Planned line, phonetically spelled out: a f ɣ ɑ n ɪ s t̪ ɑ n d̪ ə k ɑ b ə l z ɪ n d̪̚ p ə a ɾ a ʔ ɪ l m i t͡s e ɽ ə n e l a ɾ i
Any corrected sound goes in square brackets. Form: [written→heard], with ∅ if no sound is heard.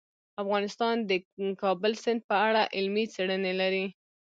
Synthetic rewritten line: a f ɣ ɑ n ɪ s t̪ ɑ n d̪ ə k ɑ b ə l [z→s] ɪ n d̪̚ p ə a [ɾ→ɽ] a ʔ ɪ l m i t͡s e ɽ ə n e l a ɾ i

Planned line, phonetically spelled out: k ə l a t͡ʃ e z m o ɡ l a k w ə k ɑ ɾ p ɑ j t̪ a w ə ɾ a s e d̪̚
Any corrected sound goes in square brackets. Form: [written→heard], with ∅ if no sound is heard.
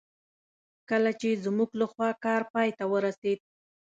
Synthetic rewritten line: k ə l a t͡ʃ e z m [o→u] ɡ l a [k→x] w [ə→ɑ] k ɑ ɾ p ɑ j t̪ a w ə ɾ a s e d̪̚

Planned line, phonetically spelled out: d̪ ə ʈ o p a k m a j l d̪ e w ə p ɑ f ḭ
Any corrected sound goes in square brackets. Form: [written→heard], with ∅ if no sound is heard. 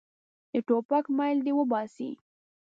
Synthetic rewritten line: d̪ ə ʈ o p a k m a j l d̪ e w ə [p→b] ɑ [f→s] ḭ

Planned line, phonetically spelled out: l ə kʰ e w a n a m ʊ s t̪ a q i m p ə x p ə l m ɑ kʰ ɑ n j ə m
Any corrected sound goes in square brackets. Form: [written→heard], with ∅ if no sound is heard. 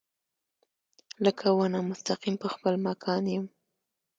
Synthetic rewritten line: l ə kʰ [e→a] w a n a m ʊ s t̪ a q i m p ə x p ə l m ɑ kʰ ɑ n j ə m

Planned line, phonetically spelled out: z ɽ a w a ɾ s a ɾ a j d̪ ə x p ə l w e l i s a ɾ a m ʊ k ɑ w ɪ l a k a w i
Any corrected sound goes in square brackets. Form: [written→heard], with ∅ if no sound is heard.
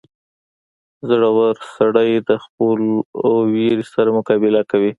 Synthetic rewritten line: z ɽ a w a ɾ s a [ɾ→ɽ] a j d̪ ə x p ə l w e [l→ɾ] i s a ɾ a m ʊ k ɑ [w→b] ɪ l a k a w i

